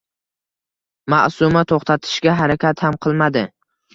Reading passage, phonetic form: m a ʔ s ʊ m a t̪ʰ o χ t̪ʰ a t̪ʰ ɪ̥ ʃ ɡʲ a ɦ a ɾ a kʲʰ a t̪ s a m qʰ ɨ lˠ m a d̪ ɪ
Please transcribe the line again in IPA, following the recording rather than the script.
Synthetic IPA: m a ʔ s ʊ m a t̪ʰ o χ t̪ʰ a t̪ʰ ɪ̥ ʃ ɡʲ a ɦ a ɾ a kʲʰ a t̪ h a m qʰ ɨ lˠ m a d̪ ɪ